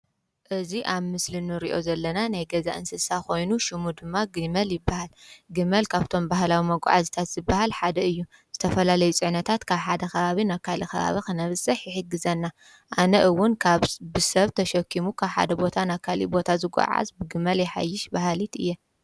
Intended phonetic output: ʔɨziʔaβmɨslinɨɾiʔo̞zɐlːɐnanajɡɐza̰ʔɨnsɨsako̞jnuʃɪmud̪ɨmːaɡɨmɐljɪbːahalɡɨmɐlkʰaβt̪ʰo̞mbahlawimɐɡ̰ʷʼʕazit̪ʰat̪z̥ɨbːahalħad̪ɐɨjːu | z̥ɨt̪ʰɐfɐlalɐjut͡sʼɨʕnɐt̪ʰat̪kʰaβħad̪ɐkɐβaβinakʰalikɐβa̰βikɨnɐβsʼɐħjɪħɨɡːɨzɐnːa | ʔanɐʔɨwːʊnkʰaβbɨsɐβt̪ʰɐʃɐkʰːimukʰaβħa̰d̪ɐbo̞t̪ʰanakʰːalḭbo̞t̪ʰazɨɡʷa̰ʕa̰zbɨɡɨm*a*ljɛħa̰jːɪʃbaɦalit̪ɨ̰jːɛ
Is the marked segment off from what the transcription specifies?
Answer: yes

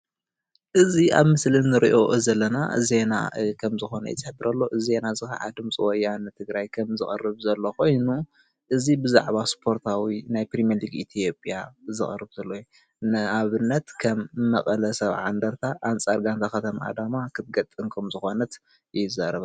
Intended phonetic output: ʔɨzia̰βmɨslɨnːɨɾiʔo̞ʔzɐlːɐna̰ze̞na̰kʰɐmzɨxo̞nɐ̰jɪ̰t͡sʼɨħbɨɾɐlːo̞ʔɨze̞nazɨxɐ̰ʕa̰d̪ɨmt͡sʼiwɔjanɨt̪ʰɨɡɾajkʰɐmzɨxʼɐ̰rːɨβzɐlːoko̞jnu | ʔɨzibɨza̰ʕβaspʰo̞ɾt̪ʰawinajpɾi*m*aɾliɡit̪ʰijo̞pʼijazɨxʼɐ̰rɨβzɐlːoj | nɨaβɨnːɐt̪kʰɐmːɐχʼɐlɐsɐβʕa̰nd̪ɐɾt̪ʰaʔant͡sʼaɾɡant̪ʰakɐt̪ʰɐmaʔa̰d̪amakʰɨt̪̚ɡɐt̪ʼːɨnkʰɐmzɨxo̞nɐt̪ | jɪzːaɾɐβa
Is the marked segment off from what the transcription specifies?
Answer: no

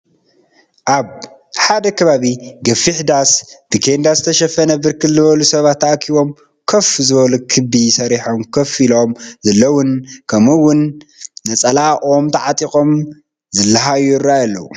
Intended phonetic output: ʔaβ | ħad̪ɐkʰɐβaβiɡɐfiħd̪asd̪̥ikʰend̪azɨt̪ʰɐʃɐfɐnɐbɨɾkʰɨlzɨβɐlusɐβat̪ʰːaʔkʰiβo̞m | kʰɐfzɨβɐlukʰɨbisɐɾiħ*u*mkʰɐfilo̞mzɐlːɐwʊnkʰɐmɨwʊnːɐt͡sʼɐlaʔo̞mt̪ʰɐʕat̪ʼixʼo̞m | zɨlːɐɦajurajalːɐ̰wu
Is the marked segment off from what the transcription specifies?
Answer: yes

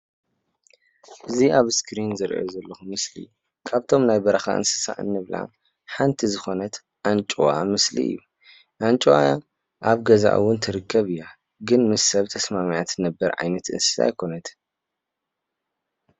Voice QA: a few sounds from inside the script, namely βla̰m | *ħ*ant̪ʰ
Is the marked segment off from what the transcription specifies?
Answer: no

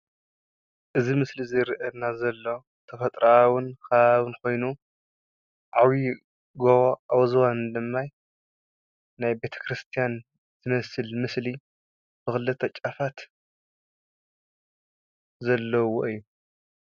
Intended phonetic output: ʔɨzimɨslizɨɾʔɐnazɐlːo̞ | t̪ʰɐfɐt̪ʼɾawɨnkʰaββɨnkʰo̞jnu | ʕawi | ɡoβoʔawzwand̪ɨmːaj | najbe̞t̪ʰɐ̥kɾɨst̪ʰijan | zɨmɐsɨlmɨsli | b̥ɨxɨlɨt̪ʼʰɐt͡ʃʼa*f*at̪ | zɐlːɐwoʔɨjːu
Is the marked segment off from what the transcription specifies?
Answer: no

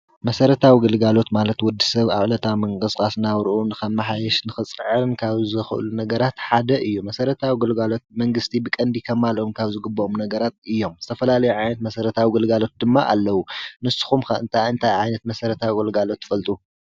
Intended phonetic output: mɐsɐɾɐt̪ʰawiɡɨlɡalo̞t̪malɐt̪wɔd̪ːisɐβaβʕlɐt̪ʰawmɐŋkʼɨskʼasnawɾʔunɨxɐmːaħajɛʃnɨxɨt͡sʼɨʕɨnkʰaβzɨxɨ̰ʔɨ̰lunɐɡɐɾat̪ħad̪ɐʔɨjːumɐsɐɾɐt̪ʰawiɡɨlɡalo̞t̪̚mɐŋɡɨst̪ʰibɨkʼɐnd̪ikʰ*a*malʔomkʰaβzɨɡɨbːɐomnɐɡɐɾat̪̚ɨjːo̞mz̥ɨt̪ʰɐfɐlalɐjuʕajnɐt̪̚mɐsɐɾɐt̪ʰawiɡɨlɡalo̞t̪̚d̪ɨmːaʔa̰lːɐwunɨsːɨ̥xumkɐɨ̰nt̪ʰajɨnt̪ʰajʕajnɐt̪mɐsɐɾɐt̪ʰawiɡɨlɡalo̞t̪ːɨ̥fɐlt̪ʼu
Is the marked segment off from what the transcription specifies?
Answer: yes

